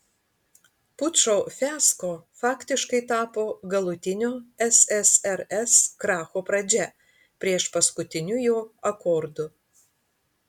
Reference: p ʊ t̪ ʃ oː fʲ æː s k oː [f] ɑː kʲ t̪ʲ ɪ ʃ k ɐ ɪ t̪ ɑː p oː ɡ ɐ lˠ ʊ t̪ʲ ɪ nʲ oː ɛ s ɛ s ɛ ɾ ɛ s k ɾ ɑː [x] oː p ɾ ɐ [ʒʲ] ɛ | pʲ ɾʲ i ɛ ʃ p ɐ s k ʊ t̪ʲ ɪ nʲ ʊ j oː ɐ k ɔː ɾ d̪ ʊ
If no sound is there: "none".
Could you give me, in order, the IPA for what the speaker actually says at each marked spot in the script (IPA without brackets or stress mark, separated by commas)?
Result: f, x, d͡ʒʲ